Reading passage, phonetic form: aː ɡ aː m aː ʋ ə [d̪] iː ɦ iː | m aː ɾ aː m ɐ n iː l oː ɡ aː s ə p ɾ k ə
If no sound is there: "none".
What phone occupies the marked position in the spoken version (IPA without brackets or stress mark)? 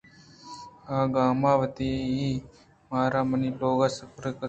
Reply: t̪